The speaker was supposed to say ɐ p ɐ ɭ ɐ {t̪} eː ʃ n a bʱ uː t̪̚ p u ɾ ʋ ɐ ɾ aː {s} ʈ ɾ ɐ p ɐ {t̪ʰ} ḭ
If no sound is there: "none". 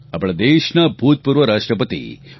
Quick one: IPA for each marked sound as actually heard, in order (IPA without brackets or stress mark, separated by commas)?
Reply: d̪, ʂ, t̪